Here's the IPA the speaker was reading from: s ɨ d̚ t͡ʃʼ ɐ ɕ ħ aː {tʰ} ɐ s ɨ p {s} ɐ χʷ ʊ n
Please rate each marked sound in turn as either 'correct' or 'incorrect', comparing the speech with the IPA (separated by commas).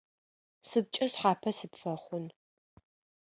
incorrect, incorrect